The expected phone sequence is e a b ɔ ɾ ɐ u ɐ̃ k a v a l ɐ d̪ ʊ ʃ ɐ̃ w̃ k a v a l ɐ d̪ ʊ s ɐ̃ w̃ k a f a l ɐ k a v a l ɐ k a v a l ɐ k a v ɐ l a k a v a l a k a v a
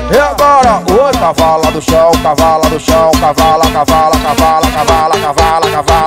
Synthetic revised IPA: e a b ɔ ɾ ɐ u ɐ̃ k a v a l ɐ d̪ ʊ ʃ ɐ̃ w̃ k a v a l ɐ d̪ ʊ ʃ ɐ̃ w̃ k a v a l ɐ k a v a l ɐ k a v a l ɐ k a v a l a k a v a l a k a v a